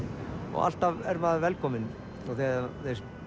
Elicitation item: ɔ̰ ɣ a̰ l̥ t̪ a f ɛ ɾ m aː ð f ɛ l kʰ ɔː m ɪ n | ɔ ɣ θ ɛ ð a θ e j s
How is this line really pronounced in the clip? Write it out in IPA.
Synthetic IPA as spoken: ɔ̰ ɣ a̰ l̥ t̪ a v ɛ ɾ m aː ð v ɛ l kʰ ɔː m ɪ n | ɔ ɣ θ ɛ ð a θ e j s